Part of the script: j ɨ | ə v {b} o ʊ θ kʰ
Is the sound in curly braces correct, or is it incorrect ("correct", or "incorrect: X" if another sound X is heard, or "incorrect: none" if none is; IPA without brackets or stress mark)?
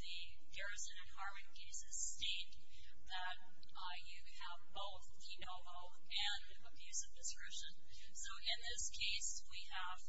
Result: correct